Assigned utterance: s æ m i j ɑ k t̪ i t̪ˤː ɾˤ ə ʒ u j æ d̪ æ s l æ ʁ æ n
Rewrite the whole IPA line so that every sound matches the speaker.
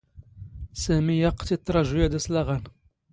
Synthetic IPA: s æ m i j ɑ q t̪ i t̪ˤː ɾˤ ɑ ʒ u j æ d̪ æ s l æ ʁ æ n